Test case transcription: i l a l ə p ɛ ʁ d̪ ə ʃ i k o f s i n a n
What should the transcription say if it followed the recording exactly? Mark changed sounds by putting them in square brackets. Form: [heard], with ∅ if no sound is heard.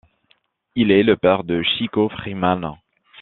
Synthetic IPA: i l [ɛ] l ə p ɛ ʁ d̪ ə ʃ i k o f [χ] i [m] a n